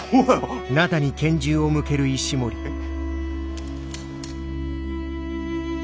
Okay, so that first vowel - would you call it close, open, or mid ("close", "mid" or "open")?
open